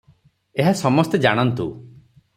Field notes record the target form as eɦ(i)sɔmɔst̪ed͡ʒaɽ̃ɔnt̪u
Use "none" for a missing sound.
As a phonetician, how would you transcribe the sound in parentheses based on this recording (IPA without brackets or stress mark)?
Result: a